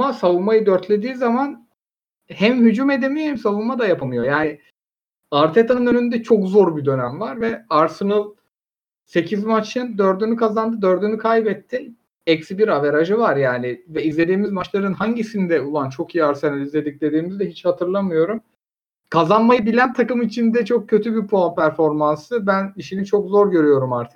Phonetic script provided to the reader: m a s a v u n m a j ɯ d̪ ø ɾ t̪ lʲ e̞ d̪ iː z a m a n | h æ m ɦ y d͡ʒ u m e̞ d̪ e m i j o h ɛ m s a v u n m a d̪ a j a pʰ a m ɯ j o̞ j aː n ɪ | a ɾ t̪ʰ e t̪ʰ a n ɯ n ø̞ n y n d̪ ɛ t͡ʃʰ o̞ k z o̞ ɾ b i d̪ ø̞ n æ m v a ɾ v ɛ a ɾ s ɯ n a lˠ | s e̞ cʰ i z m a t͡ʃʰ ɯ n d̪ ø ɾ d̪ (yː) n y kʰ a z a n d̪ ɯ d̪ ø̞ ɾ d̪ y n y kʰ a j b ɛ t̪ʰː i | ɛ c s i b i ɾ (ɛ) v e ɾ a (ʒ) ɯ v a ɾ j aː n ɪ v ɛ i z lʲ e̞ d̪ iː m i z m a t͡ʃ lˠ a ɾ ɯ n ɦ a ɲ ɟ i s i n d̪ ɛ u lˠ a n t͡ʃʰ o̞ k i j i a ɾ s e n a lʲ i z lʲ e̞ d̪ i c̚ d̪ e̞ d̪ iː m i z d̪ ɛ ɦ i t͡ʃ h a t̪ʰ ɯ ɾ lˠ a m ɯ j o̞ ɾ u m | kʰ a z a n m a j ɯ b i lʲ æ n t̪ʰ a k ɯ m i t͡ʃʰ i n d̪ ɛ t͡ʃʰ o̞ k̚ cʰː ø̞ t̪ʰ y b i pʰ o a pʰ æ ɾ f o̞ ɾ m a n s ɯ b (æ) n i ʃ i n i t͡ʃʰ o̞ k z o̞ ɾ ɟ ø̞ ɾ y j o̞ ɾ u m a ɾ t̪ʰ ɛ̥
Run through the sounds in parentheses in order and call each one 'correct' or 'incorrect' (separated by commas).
incorrect, incorrect, correct, correct